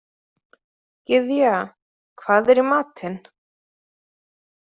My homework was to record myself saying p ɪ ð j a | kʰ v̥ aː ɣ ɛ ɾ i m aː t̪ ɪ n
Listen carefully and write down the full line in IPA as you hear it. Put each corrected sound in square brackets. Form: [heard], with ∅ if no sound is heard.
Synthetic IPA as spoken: [c] ɪ ð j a | kʰ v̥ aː [ð] ɛ ɾ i m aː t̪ ɪ n